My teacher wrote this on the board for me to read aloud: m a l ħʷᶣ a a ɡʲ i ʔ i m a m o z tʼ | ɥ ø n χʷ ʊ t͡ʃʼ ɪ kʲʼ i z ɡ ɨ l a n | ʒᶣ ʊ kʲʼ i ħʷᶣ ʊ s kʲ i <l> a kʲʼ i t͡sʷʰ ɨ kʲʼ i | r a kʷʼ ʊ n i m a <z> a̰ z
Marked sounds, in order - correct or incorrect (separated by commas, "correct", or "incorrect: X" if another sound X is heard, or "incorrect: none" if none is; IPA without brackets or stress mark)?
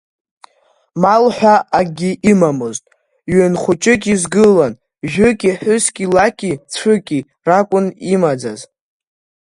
correct, incorrect: d͡z